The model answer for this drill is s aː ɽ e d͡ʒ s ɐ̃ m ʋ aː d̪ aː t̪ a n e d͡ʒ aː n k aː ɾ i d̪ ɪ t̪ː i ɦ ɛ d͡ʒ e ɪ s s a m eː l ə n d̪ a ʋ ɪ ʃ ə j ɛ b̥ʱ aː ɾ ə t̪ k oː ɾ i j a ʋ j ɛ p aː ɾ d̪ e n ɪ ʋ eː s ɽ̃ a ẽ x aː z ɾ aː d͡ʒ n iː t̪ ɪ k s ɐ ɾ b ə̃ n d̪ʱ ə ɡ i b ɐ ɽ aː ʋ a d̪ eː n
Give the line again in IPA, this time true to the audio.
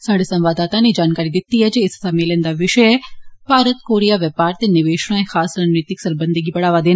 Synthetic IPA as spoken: s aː ɽ e s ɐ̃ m ʋ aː d̪ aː t̪ a n e d͡ʒ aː n k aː ɾ i d̪ ɪ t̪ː i ɦ ɛ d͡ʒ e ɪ s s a m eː l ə n d̪ a ʋ ɪ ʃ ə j ɛ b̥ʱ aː ɾ ə t̪ k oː ɾ i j a ʋ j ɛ p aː ɾ t̪ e n ɪ ʋ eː ʃ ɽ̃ a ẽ x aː s ɾ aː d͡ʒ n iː t̪ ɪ k s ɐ ɾ b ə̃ n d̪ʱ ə ɡ i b ɐ ɽ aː ʋ a d̪ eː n